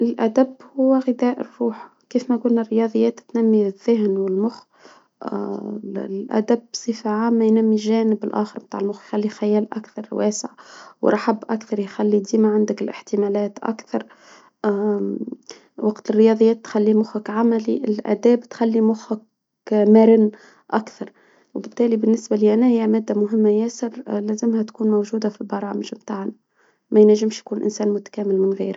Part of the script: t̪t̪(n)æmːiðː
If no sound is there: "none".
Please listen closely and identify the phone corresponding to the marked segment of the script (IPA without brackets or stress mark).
n